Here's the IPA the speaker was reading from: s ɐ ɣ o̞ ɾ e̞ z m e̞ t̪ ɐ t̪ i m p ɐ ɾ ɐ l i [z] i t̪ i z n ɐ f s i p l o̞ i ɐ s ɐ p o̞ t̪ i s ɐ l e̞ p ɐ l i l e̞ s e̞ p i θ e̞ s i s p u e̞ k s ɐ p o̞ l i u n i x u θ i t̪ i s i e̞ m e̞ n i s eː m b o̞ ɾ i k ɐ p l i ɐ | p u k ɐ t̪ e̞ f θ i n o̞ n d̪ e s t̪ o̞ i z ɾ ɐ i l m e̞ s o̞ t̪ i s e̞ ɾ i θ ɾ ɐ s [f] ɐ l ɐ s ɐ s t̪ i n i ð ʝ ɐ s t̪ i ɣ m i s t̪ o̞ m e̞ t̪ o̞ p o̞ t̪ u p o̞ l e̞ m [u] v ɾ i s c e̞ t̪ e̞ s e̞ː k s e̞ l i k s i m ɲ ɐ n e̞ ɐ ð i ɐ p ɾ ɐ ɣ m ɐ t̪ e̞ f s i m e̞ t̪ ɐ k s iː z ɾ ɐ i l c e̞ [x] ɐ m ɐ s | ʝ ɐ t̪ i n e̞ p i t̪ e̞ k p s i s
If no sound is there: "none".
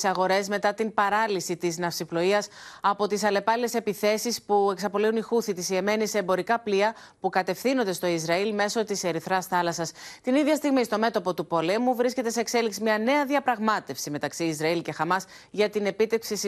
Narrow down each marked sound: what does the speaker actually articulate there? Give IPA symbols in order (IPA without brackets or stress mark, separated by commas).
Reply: s, θ, u, x